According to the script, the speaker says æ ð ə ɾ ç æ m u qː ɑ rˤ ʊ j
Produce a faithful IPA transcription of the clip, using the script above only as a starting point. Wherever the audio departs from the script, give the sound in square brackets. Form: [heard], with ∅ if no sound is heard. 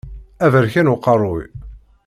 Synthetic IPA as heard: æ [v] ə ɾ ç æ [n] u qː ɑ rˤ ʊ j